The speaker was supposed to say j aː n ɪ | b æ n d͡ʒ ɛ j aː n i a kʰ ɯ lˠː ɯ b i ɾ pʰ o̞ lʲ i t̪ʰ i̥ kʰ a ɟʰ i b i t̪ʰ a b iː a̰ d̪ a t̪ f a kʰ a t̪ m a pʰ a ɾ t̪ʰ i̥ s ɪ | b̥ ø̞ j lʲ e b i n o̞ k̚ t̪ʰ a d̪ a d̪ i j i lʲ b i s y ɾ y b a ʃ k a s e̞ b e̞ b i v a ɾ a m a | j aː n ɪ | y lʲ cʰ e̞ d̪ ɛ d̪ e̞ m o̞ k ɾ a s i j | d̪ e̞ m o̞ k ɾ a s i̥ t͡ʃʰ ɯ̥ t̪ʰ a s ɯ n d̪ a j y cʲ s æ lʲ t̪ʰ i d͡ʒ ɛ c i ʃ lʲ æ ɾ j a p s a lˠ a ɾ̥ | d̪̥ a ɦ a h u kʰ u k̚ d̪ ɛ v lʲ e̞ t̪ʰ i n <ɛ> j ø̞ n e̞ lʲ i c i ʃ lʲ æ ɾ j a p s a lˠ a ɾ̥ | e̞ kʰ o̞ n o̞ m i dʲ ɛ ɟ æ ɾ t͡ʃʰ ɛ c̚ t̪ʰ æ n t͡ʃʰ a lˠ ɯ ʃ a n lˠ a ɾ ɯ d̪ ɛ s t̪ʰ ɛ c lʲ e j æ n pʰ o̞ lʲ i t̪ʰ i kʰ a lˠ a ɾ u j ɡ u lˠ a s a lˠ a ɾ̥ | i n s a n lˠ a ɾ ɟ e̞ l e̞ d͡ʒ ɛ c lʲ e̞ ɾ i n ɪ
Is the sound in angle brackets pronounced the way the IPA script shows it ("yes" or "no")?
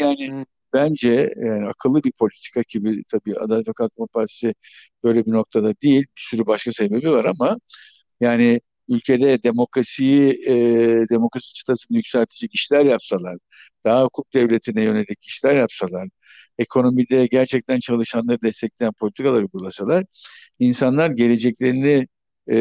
yes